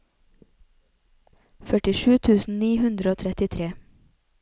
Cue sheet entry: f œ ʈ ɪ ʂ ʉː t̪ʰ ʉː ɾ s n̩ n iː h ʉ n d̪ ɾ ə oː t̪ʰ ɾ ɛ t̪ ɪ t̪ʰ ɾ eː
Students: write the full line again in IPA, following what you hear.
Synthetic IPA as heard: f œ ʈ ɪ ʃ ʉː t̪ʰ ʉː s n̩ n iː h ʉ n d̪ ɾ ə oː t̪ʰ ɾ ɛ t̪ ɪ t̪ʰ ɾ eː